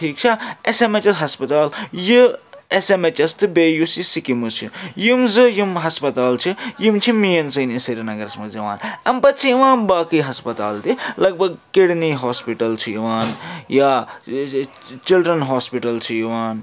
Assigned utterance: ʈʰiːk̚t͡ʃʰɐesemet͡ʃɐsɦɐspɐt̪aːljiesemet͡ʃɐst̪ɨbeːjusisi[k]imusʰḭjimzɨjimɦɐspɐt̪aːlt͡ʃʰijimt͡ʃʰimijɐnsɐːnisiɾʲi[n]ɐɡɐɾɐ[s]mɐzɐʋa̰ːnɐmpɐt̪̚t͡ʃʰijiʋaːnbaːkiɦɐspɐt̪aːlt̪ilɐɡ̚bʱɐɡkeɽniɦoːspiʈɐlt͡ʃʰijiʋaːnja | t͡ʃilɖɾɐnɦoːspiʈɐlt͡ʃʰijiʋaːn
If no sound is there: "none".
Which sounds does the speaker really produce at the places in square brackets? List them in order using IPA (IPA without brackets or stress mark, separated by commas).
k, n, s